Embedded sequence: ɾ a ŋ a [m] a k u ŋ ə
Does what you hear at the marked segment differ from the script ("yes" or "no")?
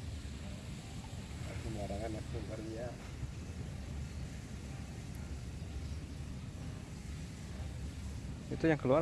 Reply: yes